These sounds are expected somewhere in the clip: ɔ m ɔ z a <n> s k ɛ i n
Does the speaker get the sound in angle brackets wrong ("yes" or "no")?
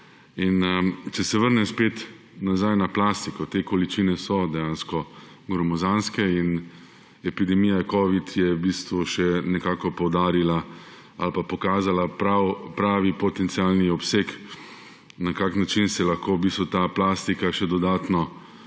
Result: no